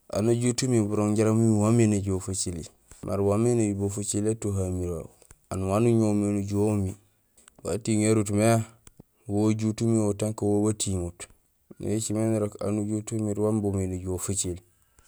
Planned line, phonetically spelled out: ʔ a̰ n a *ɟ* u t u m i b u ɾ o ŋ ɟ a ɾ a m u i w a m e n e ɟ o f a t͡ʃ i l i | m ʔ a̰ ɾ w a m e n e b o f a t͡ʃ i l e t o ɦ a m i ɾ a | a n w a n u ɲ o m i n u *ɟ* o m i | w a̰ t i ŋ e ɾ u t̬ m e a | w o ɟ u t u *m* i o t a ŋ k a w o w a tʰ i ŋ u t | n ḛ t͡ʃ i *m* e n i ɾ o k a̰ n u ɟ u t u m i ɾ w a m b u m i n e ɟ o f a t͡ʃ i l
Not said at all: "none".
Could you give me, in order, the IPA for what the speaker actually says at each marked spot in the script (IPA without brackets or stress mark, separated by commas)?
ɟ, ɟ, m, m